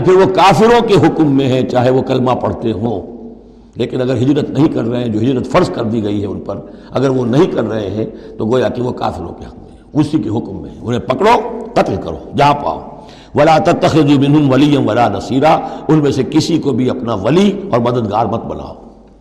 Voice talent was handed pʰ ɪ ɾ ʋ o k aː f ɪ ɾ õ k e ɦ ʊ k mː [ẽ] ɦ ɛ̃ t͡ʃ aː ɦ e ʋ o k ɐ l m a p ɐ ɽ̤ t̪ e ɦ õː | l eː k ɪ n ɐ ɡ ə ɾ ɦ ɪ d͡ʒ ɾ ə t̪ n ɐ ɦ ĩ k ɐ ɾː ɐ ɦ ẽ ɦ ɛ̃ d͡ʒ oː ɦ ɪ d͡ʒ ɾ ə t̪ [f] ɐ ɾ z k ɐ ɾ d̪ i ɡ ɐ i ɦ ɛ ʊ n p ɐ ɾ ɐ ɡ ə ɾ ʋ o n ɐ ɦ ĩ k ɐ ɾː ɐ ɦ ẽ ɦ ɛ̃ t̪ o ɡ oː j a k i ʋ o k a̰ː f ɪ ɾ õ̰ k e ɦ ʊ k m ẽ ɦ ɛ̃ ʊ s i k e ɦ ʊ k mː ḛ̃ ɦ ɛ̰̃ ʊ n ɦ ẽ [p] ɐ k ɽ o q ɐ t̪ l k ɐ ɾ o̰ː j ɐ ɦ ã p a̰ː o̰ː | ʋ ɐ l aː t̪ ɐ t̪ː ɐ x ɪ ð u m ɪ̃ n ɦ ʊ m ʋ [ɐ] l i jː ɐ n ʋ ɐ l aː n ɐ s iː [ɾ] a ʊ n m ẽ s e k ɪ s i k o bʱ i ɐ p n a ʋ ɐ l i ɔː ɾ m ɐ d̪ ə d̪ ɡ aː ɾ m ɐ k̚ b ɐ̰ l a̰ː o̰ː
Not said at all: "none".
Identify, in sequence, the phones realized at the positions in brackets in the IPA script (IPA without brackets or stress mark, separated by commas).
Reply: ẽ, f, p, ɐ, ɾ